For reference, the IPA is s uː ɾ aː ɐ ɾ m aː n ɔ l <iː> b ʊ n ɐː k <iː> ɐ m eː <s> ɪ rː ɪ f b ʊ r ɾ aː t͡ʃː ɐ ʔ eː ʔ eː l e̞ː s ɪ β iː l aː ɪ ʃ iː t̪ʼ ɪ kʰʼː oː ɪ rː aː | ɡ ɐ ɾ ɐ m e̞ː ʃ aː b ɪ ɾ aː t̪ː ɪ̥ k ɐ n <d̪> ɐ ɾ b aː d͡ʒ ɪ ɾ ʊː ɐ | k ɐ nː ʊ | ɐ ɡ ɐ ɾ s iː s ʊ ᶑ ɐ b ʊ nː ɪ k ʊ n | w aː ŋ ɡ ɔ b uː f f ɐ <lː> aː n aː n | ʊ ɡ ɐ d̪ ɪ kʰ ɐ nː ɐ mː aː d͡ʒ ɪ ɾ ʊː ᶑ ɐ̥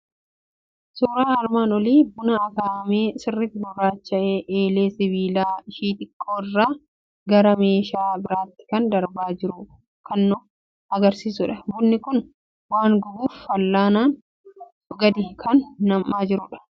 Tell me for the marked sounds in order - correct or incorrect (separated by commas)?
correct, incorrect, correct, correct, correct